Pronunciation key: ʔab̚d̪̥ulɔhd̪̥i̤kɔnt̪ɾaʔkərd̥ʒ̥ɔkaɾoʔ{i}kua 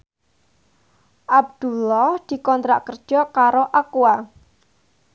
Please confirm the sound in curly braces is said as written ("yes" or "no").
no